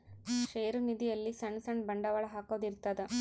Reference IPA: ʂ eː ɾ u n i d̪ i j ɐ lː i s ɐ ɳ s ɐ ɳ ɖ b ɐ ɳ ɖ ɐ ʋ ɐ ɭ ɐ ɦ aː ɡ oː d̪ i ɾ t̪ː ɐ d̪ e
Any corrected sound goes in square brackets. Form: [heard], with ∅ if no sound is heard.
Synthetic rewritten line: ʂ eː ɾ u n i d̪ i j ɐ lː i s ɐ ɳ s ɐ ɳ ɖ b ɐ ɳ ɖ ɐ ʋ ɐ ɭ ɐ ɦ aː [k] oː d̪ i ɾ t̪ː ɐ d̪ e